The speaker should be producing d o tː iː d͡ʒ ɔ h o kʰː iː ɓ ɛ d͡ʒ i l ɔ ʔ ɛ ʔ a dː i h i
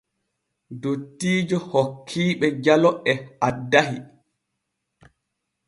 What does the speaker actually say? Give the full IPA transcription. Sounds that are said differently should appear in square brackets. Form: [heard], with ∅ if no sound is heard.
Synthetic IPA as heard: d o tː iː d͡ʒ ɔ h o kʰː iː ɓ ɛ d͡ʒ [a] l ɔ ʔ ɛ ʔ a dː [a] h i